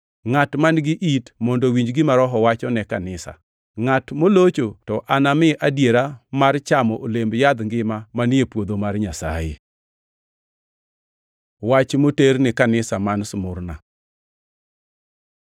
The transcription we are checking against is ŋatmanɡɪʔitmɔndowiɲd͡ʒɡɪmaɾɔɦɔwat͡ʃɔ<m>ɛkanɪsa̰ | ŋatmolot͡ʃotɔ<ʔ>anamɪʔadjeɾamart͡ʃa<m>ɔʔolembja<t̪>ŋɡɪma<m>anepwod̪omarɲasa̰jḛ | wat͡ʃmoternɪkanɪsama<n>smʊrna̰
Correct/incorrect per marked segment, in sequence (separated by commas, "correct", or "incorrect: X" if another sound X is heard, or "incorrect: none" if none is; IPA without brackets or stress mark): incorrect: n, correct, correct, incorrect: d̪, correct, correct